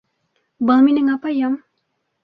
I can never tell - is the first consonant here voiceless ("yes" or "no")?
no